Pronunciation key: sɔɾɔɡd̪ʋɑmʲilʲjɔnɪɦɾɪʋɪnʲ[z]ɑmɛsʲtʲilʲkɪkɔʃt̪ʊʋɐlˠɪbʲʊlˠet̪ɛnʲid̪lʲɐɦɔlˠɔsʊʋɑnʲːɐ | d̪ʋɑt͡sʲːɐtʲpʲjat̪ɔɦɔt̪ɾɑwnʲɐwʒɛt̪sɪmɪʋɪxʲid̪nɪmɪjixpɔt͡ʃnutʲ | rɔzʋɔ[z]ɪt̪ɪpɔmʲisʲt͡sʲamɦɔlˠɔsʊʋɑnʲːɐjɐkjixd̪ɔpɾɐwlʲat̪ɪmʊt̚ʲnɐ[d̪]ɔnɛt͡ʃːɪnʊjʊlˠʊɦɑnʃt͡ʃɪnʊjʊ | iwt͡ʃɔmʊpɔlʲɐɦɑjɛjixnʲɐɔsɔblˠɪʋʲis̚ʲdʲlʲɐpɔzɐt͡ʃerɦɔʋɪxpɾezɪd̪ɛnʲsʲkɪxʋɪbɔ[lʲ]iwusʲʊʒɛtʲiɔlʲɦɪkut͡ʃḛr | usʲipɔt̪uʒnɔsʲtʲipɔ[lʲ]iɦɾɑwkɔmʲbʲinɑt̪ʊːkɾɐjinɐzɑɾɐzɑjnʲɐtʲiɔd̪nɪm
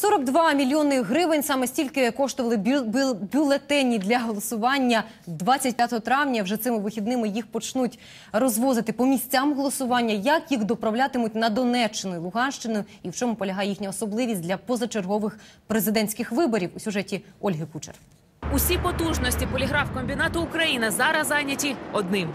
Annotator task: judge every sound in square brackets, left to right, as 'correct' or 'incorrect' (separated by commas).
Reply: incorrect, correct, correct, incorrect, correct